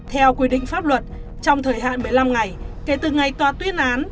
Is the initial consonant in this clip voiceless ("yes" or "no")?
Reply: yes